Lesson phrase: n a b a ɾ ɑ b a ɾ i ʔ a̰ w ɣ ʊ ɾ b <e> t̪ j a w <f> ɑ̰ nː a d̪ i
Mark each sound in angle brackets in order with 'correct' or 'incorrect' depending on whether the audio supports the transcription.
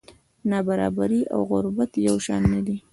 incorrect: a, incorrect: ʃ

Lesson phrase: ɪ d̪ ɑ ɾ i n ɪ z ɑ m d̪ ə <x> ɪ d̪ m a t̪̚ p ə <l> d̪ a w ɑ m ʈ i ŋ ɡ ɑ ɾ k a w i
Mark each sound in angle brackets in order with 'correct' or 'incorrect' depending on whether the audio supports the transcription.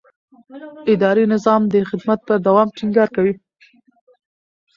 correct, incorrect: ɾ

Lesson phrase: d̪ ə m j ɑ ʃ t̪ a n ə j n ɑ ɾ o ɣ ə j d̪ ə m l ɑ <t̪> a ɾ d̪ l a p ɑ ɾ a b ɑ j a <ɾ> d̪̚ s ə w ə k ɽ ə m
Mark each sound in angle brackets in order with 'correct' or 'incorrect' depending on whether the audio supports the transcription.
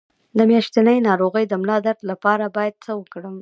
incorrect: d̪, incorrect: none

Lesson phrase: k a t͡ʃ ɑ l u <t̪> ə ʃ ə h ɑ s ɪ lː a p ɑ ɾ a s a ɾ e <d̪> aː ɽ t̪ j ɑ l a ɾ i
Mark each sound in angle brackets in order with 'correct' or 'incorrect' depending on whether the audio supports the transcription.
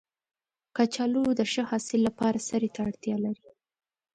incorrect: d̪, incorrect: t̪

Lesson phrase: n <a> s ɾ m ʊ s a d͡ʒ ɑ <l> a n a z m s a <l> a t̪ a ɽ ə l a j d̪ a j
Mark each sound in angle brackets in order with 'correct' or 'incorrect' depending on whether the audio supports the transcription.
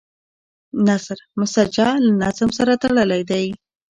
correct, correct, incorrect: ɾ

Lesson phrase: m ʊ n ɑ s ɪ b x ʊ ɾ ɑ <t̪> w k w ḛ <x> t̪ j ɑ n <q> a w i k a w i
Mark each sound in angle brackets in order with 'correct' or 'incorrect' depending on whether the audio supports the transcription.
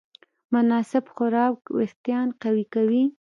incorrect: none, correct, correct

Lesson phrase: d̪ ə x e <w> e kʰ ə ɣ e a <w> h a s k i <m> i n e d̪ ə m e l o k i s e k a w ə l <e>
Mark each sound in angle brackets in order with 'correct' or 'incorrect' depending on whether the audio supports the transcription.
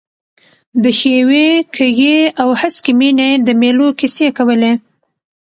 correct, correct, correct, correct

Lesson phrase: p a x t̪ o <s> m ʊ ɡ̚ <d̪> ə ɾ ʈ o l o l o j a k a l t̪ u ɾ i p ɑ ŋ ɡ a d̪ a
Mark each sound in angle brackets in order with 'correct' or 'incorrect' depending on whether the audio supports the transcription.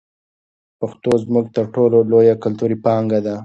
incorrect: z, incorrect: t̪

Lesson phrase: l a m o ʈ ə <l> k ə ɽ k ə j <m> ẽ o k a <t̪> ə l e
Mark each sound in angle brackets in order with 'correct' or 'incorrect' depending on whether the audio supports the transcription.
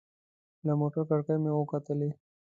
incorrect: ɾ, correct, correct

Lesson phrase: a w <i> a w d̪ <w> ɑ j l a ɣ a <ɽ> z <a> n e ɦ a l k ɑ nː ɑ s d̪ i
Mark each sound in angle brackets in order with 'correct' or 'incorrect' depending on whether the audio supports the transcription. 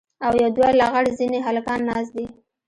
incorrect: j, correct, correct, incorrect: i

